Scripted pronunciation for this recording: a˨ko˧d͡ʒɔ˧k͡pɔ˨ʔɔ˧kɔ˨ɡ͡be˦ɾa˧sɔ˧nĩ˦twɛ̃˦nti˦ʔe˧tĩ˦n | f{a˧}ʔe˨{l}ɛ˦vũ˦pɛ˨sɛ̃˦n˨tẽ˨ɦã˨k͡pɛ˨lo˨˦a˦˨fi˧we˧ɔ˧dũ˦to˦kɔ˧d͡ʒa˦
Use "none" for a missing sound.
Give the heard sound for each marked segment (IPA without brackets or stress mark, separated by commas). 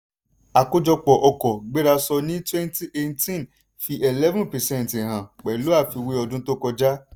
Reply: i˧, l